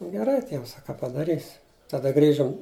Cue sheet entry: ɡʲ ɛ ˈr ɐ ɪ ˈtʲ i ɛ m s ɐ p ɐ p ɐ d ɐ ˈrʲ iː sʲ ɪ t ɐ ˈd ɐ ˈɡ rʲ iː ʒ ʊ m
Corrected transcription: ɡʲ ɛ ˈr ɐ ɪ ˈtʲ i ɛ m s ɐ k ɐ p ɐ d ɐ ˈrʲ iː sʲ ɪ t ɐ ˈd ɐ ˈɡ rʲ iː ʒ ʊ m